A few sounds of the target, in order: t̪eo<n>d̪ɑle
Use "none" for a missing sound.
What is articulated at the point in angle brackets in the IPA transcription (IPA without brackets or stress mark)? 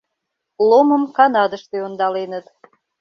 n